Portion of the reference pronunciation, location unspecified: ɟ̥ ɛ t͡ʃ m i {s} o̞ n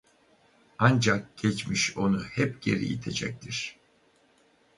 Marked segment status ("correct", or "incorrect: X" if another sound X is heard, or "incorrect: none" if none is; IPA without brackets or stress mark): incorrect: ʃ